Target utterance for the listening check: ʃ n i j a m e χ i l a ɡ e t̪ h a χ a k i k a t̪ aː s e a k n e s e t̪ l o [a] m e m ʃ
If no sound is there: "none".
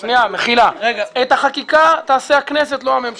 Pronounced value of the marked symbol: a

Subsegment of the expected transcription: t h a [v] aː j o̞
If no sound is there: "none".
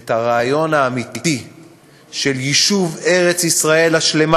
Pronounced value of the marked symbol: ʁ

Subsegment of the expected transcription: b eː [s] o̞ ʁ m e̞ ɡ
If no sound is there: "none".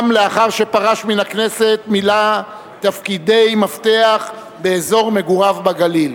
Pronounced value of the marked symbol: z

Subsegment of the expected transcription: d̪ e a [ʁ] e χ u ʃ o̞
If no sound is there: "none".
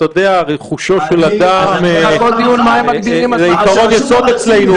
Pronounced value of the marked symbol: ʁ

